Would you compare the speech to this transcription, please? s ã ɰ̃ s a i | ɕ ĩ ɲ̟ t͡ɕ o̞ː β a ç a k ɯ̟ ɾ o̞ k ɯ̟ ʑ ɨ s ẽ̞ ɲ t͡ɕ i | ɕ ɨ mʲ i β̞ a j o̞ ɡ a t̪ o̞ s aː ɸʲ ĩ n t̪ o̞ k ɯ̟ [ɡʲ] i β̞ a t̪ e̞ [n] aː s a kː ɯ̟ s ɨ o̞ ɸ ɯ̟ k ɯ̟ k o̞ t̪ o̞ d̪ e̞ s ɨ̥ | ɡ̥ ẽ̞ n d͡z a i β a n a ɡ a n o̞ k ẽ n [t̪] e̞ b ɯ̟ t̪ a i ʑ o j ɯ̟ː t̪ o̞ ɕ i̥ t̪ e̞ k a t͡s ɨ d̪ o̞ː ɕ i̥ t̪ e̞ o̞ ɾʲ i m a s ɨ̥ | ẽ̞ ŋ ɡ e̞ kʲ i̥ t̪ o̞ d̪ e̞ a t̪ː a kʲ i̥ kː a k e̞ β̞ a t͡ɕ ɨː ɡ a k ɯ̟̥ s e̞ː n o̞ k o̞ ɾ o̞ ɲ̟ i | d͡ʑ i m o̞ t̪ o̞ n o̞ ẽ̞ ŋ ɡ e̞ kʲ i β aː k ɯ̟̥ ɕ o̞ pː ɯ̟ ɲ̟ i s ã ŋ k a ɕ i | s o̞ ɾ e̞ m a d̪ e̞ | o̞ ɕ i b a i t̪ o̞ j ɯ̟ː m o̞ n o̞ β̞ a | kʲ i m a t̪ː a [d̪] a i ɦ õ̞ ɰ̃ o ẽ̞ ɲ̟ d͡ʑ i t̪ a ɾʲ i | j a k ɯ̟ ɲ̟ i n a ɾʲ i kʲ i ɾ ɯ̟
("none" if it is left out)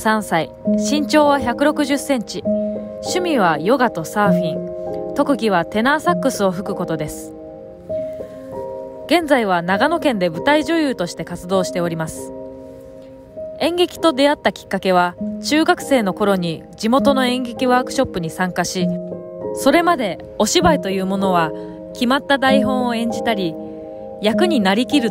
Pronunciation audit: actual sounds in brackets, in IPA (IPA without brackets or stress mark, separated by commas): ɡʲ, n, d̪, d̪